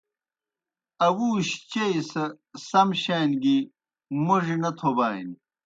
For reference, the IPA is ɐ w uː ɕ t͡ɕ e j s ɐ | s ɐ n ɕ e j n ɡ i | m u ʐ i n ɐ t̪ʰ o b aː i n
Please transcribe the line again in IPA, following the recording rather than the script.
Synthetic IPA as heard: ɐ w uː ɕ t͡ɕ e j s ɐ | s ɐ m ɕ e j n ɡ i | m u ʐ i n ɐ t̪ʰ o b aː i n